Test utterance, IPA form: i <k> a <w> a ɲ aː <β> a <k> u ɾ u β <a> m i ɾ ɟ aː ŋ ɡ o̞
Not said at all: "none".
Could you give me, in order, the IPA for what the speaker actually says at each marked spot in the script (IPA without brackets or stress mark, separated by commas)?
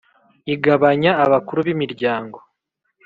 ɡ, β, β, k, i